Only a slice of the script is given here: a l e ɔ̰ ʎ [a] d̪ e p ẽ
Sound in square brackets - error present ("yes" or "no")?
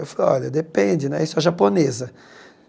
yes